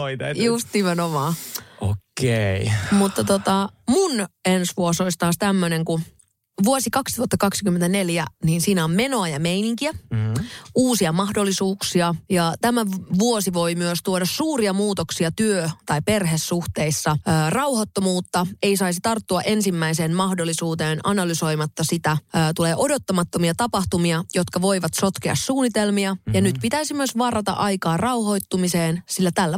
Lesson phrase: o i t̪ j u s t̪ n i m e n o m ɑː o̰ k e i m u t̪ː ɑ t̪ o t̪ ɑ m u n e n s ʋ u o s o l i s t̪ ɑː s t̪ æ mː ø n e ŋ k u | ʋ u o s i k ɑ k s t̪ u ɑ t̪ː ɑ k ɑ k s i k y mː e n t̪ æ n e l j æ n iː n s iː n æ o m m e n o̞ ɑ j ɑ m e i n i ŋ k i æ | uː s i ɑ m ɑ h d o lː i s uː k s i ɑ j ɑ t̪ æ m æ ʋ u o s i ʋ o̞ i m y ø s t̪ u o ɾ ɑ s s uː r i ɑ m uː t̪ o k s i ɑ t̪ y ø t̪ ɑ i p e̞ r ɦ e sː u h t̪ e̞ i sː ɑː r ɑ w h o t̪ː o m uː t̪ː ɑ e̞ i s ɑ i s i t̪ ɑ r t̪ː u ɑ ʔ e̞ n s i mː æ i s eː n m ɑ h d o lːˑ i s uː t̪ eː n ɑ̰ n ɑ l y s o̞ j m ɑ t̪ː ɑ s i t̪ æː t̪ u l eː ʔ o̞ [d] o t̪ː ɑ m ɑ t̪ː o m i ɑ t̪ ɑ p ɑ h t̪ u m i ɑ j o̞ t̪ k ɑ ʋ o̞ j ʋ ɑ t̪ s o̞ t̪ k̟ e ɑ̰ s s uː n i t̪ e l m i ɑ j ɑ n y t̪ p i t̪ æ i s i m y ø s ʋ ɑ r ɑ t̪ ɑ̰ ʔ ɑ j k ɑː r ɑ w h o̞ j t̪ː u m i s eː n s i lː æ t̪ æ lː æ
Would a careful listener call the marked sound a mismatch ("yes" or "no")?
no